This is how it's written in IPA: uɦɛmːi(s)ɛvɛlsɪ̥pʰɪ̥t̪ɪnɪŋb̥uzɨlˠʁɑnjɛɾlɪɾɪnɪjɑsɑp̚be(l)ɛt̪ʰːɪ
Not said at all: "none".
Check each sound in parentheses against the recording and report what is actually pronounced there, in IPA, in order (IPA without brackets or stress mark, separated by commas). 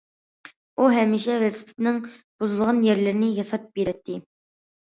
ʃ, ɾ